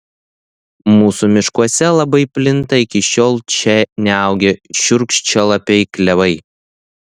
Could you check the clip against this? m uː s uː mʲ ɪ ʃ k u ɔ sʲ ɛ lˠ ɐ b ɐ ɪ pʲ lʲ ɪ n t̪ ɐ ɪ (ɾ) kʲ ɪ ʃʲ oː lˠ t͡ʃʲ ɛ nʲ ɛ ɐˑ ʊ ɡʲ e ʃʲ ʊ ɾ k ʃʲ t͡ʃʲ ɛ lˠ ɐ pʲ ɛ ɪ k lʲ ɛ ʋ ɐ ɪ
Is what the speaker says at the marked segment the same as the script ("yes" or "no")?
no